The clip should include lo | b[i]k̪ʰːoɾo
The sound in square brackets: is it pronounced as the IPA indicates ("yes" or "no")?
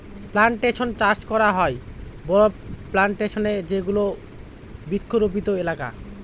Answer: yes